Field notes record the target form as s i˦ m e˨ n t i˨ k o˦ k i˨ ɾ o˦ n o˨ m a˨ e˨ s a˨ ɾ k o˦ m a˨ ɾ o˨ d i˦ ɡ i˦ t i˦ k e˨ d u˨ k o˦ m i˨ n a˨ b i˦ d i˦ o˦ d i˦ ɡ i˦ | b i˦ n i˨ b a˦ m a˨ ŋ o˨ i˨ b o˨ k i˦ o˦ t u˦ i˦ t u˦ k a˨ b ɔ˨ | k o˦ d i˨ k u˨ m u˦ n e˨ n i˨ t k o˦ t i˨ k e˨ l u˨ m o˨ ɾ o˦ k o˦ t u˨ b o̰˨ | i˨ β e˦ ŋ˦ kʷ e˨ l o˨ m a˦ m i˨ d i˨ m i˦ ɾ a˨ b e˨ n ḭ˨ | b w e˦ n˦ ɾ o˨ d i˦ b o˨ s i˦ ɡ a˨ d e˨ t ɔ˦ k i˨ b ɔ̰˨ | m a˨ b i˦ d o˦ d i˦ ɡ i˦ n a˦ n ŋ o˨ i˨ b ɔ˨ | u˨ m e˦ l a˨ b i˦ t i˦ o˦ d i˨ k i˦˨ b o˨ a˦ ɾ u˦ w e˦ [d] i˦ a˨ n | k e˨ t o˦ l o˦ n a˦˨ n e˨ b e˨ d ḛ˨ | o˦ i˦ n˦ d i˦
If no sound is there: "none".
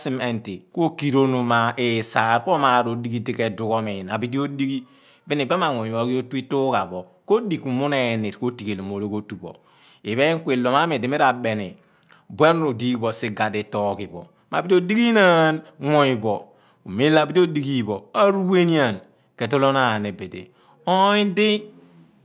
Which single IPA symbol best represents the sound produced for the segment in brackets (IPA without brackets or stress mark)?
n